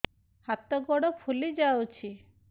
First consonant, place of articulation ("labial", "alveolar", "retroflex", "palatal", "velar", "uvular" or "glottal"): glottal